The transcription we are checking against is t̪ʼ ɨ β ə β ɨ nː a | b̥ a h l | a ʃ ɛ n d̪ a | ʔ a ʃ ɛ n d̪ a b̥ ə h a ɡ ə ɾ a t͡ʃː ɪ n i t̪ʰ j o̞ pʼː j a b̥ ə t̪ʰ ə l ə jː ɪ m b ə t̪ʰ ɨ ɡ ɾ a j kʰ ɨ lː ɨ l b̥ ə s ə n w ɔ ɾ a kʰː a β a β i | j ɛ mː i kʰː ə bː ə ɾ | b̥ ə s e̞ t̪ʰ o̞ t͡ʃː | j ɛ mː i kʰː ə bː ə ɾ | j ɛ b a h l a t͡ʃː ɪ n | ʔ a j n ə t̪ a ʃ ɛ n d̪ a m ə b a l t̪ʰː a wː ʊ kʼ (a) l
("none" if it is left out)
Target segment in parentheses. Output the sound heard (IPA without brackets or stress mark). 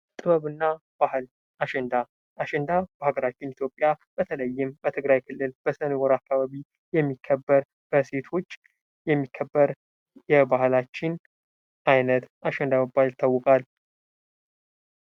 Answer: a